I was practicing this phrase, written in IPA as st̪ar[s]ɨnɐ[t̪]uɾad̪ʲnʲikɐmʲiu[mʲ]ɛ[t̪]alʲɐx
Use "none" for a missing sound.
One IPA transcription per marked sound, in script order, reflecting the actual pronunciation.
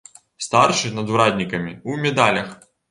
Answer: ʂ, d̪, mʲ, d̪

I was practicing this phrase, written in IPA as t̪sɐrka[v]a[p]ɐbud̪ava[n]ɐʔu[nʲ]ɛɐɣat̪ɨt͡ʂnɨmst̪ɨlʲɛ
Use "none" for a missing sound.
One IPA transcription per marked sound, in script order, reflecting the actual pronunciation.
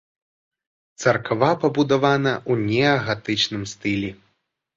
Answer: v, p, n, nʲ

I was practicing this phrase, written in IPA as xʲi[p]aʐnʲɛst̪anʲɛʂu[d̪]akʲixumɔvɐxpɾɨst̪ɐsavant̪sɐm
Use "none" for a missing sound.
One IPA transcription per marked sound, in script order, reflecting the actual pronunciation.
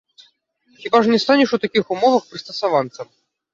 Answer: b, t̪

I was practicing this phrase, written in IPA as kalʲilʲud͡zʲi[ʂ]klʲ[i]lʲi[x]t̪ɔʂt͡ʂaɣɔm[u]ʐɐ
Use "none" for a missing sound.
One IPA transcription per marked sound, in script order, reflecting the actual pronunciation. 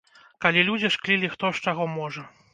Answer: ʂ, i, x, ɔ

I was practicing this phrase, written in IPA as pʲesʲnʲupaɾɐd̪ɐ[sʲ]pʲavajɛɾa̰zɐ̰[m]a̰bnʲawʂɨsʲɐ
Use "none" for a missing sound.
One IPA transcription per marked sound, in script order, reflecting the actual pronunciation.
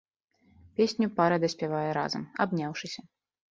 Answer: sʲ, m

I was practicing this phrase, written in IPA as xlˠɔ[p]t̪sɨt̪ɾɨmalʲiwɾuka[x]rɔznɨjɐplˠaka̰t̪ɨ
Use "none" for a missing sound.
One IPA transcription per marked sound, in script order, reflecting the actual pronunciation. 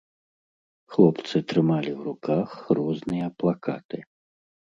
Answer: p, x

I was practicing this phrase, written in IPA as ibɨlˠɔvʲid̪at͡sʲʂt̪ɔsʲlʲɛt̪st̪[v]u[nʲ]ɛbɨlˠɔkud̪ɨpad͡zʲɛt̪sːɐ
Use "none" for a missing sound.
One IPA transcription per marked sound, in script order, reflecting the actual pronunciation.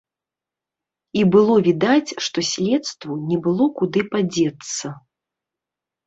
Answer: v, nʲ

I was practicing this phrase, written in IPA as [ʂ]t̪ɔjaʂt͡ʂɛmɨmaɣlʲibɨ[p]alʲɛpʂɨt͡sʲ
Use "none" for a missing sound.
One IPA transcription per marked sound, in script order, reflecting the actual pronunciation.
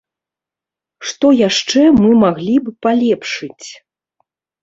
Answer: ʂ, p

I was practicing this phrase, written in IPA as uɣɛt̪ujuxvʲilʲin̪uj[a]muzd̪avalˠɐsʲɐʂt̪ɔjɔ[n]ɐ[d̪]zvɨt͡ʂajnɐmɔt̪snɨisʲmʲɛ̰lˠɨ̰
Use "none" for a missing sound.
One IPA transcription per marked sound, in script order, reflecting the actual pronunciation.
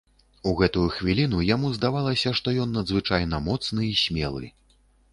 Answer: a, nː, d̪

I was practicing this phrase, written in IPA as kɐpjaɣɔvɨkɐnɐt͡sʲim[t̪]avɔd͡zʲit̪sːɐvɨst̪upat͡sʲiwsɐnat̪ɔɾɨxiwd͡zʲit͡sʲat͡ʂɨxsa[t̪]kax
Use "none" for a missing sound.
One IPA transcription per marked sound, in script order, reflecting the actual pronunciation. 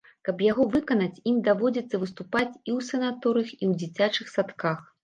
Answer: d̪, t̪

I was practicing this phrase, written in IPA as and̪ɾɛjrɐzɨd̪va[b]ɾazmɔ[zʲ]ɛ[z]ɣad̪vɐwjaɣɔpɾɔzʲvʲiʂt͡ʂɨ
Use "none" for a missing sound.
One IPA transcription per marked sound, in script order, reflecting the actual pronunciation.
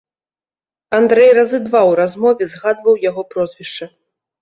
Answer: w, vʲ, z

